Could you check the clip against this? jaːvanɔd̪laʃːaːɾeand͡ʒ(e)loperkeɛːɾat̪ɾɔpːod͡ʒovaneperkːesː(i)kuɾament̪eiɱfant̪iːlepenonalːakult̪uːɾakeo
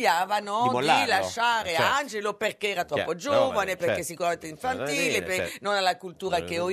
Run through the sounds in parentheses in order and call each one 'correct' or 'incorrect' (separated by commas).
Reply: correct, correct